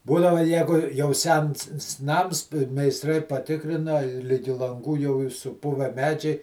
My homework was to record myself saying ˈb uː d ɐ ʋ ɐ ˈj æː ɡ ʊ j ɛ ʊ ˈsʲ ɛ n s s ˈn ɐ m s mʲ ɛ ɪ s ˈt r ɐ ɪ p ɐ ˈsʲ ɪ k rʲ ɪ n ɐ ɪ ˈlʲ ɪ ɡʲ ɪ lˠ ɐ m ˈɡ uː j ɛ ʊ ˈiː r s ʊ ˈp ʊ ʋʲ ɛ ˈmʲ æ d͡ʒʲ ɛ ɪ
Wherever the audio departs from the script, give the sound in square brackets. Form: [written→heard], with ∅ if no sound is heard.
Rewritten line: ˈb uː d ɐ ʋ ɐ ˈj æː ɡ ʊ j ɛ ʊ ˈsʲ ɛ n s s ˈn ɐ m s mʲ ɛ ɪ s ˈt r ɐ ɪ p ɐ [ˈsʲ→ˈtʲ] ɪ k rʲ ɪ n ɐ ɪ ˈlʲ ɪ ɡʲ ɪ lˠ ɐ [m→ŋ] ˈɡ uː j ɛ ʊ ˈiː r s ʊ ˈp ʊ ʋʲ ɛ ˈmʲ [æ→æː] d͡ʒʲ ɛ ɪ